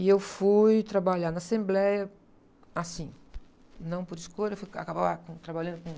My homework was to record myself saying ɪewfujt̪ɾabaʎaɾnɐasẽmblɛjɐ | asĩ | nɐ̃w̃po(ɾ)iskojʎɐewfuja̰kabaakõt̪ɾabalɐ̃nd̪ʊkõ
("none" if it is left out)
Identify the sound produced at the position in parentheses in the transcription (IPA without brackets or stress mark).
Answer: ɾ